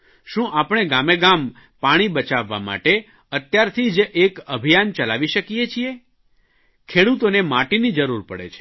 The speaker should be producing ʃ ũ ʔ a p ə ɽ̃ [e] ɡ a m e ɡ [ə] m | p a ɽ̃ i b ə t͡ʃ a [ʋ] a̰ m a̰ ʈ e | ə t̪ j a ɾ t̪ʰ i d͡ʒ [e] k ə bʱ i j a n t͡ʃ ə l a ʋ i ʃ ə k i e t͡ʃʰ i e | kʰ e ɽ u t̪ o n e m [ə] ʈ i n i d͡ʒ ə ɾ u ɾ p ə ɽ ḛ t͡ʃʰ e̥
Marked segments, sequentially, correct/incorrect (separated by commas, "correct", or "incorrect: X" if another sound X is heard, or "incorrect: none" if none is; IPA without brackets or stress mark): correct, incorrect: a, incorrect: ʋː, correct, incorrect: a